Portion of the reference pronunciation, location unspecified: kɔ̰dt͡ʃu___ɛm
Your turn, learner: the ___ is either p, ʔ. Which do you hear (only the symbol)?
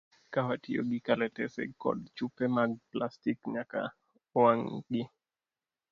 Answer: p